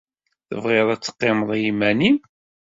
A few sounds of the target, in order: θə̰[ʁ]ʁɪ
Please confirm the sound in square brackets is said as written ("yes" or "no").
no